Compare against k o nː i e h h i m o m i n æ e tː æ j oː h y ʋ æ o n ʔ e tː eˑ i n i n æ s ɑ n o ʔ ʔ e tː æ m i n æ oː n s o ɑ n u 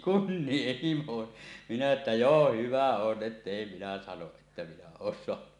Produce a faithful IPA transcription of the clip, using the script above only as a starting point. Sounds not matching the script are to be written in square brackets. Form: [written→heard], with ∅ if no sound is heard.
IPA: k [o→u] nː i e h h i m o m i n æ e tː æ j oː h y ʋ æ o n ʔ e tː eˑ i [n→m] i n æ s ɑ n o ʔ ʔ e tː æ m i n æ oː n s o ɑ n u